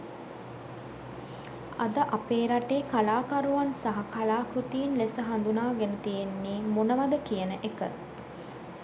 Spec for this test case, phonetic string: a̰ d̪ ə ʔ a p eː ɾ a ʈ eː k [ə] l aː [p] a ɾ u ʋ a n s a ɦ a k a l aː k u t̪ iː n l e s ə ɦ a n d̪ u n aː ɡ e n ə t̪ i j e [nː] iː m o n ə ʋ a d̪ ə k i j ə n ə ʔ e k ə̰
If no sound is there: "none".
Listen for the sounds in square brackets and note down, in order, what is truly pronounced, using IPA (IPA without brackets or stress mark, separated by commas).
a, k, nː